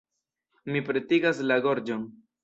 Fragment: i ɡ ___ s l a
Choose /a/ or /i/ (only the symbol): a